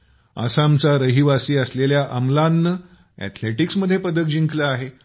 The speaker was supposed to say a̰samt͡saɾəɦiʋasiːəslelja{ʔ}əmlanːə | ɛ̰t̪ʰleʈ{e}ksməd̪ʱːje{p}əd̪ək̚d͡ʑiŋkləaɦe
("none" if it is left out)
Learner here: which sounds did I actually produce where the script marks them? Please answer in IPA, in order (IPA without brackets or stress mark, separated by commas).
ʔ, i, p